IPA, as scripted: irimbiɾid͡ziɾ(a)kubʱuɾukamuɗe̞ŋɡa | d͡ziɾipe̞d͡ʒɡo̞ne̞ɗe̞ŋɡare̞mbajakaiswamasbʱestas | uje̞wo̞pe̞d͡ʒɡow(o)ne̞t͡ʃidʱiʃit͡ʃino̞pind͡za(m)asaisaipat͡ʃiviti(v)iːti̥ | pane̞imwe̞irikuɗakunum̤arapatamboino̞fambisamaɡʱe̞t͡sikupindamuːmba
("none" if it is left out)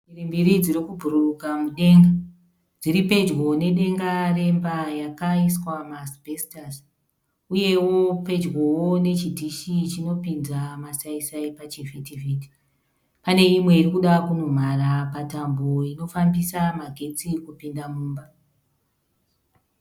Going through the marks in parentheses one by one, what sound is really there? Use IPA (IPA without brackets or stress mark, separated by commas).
i, o, m, v